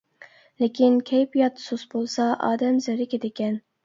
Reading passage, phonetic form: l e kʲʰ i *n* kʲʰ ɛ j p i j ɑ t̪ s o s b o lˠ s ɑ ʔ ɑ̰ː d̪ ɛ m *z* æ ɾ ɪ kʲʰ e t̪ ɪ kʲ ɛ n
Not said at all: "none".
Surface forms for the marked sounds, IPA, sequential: n, z

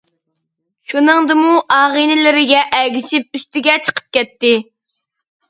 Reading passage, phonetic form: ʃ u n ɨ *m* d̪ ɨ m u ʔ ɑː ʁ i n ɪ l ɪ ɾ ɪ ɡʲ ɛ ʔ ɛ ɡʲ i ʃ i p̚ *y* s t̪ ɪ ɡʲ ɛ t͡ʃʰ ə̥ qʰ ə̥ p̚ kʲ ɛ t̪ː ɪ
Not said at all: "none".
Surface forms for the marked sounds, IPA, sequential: ŋ, y

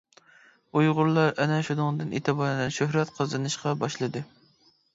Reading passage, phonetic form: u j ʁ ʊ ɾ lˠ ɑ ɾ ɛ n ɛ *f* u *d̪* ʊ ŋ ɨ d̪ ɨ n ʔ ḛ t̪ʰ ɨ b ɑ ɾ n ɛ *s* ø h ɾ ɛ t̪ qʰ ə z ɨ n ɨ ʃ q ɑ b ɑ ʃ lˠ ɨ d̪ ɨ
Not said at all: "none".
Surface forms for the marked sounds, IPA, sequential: ʃ, d̪, ʃ

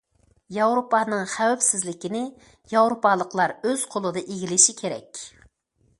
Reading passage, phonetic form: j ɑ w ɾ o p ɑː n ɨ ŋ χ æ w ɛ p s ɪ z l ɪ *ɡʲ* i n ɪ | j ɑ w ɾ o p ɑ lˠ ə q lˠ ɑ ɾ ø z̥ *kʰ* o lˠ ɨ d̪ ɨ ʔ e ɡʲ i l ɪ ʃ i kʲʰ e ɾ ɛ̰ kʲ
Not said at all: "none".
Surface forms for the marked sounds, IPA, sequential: kʲ, qʰ

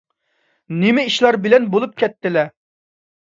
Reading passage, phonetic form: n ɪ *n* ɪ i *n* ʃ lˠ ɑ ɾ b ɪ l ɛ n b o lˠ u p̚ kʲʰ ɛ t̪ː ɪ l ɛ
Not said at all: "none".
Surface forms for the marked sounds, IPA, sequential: m, none

